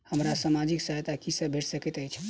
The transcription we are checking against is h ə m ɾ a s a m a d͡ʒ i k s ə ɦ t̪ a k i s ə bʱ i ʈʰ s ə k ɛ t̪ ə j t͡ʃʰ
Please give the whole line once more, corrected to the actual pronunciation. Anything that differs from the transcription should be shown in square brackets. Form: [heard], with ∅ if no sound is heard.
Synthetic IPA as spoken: h ə m ɾ a s a m a d͡ʒ i k s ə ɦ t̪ a k i s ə bʱ [e] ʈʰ s ə k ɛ t̪ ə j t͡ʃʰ